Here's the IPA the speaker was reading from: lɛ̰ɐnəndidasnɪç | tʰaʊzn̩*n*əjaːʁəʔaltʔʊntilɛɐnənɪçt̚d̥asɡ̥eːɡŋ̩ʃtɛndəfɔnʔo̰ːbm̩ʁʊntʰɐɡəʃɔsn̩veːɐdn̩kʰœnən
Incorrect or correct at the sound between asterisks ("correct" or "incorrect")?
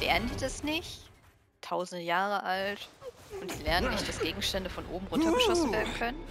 incorrect